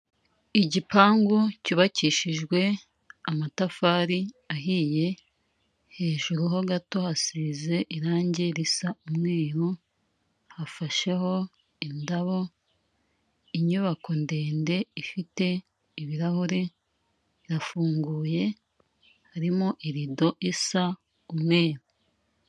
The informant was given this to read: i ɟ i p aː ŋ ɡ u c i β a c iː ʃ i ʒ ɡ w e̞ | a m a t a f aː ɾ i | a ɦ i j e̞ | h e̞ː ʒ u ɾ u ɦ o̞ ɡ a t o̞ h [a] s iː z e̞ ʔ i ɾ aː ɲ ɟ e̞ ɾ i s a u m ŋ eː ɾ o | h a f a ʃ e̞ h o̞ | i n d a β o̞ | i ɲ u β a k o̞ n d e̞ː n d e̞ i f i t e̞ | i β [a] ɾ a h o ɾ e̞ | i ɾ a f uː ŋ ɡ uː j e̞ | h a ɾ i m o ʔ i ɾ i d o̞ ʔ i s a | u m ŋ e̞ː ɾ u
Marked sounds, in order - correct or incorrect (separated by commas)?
correct, incorrect